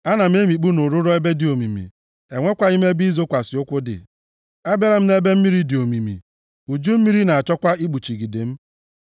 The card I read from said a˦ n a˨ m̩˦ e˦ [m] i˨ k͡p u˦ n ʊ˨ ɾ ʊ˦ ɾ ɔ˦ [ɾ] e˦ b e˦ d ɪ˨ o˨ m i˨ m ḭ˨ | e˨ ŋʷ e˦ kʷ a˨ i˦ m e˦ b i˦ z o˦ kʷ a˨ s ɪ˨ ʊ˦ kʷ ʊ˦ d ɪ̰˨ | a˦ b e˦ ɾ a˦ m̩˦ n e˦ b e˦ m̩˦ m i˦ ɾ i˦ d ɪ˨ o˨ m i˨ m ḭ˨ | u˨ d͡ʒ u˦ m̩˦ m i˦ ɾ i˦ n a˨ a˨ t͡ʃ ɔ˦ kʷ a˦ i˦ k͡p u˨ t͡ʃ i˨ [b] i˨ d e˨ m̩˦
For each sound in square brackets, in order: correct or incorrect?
correct, incorrect: none, incorrect: ɡ

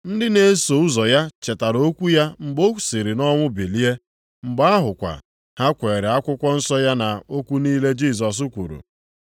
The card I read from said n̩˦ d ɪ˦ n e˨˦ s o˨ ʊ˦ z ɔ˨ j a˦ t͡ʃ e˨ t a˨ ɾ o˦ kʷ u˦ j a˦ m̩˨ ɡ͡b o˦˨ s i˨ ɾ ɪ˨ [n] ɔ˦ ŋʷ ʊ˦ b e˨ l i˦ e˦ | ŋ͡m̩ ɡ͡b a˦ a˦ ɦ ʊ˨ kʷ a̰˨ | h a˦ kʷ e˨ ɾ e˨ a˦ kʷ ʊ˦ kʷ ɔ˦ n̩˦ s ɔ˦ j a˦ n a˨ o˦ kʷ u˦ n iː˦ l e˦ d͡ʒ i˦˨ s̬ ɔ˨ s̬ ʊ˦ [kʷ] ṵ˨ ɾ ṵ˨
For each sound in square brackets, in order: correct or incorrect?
correct, correct

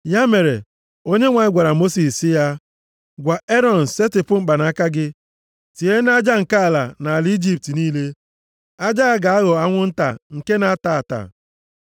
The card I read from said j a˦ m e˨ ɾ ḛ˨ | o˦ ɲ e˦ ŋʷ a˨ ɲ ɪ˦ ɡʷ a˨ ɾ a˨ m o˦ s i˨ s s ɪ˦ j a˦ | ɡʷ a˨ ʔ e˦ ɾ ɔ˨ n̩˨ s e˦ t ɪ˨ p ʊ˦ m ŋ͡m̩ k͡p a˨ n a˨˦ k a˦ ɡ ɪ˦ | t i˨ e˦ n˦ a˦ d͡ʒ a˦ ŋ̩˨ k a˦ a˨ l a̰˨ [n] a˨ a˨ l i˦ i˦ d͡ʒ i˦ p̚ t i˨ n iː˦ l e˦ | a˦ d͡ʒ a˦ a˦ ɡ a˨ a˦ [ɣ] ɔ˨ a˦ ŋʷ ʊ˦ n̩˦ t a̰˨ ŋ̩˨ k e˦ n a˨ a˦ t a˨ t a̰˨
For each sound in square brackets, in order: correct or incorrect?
correct, correct

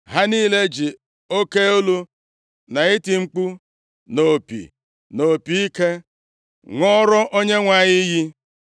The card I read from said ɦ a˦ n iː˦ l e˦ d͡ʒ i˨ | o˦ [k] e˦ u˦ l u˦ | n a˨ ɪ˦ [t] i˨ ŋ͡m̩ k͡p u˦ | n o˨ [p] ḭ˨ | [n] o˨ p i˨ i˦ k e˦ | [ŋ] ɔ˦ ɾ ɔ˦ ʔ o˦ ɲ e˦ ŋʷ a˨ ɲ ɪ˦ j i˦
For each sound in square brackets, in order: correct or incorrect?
correct, correct, correct, correct, correct

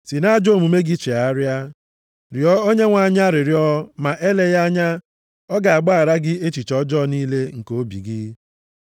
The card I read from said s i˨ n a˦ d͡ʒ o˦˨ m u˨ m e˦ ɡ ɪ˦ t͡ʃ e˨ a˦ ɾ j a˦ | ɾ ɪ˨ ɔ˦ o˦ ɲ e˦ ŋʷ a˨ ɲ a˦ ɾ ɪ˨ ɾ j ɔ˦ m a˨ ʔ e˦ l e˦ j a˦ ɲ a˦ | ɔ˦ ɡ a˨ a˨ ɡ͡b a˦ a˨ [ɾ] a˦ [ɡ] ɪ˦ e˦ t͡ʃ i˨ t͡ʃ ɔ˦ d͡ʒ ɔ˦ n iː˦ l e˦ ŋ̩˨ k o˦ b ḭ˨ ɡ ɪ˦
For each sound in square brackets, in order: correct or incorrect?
correct, correct

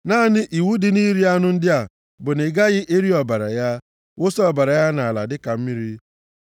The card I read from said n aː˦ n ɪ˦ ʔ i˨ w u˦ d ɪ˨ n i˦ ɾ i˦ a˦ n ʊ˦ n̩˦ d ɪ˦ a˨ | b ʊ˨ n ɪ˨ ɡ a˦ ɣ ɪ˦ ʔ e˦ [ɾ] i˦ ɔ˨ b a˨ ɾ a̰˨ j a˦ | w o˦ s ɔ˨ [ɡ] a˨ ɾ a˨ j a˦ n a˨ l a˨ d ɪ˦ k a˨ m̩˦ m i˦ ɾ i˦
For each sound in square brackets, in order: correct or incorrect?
correct, incorrect: b

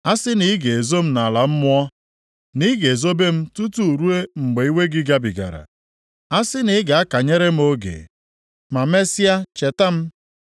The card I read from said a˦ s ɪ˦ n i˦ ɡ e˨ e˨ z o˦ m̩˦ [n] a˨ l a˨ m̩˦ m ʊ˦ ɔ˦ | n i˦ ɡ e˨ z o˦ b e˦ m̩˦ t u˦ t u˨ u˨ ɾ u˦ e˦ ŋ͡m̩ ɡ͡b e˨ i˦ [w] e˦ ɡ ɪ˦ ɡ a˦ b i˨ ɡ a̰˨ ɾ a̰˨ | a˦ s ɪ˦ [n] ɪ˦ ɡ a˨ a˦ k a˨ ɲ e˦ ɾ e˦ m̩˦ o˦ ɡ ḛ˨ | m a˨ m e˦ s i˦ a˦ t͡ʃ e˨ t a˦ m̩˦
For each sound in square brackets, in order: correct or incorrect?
correct, correct, correct

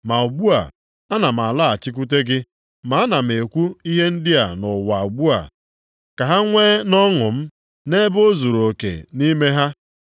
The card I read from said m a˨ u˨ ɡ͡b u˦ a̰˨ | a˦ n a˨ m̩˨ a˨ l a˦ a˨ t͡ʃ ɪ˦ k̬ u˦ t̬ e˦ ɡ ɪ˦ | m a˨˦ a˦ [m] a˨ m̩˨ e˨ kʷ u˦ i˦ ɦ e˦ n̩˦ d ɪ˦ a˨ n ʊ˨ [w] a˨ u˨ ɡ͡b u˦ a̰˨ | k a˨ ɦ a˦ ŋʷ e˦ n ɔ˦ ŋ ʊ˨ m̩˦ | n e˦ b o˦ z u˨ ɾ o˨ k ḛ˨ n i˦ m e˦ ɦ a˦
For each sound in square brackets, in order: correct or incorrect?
incorrect: n, correct

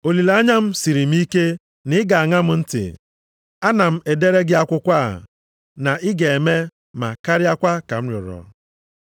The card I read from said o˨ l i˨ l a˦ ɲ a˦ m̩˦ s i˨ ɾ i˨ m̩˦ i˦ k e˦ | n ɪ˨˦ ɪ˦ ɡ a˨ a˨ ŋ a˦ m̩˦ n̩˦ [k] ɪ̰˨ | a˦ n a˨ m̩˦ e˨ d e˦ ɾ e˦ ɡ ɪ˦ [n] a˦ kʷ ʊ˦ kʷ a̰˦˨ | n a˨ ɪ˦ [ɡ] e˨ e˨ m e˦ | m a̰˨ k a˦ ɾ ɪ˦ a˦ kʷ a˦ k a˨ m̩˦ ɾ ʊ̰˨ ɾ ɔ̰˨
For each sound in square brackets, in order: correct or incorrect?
incorrect: t, incorrect: none, correct

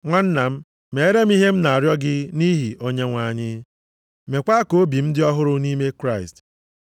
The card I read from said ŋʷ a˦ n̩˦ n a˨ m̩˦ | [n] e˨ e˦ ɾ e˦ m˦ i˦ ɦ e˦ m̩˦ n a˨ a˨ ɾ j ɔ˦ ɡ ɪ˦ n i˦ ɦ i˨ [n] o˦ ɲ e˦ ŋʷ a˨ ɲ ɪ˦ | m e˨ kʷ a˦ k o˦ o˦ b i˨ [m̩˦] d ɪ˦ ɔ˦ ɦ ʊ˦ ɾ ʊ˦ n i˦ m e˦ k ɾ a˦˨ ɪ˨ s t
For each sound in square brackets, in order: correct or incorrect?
incorrect: m, incorrect: none, correct

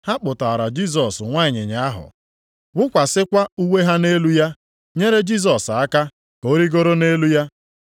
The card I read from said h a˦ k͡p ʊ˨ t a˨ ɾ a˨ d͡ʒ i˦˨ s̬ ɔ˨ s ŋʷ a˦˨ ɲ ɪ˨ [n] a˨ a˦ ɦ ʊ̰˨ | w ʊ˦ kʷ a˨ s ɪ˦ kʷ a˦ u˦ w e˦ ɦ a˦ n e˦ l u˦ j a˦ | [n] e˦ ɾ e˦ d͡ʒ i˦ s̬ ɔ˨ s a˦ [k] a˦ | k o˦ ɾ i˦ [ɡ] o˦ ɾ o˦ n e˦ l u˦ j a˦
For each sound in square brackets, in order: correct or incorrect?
incorrect: ɲ, incorrect: ɲ, correct, correct

